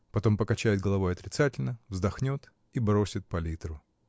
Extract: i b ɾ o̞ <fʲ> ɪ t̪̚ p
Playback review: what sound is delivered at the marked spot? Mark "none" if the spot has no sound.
sʲ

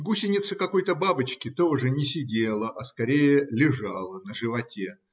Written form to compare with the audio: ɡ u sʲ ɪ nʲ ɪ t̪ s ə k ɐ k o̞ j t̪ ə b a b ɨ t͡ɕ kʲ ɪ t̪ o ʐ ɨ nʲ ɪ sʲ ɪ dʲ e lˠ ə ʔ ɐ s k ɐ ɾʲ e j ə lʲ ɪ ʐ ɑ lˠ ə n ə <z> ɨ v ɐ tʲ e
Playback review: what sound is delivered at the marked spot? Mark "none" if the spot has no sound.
ʐ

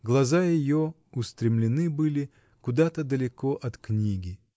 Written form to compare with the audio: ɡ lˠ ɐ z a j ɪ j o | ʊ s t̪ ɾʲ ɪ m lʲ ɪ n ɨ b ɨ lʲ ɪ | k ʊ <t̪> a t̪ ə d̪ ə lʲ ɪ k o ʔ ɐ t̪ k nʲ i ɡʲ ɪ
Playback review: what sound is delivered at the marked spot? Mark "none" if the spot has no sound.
d̪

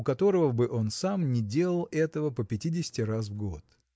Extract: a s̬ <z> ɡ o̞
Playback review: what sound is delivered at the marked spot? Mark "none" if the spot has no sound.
v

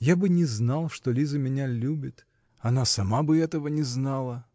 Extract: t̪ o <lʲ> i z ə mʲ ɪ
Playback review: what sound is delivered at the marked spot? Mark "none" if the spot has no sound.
lʲ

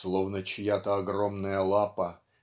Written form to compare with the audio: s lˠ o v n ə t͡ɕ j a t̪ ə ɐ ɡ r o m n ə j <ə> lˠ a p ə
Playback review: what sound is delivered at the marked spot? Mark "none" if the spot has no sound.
ə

